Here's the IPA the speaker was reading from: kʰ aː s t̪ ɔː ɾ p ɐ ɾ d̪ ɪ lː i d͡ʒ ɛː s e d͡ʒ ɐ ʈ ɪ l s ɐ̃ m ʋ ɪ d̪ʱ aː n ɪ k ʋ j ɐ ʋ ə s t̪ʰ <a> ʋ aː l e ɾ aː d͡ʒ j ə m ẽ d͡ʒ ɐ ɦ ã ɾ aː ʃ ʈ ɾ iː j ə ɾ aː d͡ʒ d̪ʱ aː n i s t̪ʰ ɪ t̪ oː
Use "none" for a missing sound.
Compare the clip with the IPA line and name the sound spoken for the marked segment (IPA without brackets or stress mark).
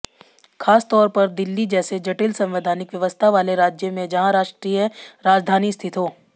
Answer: a